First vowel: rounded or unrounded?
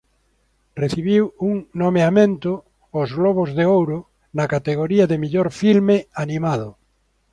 unrounded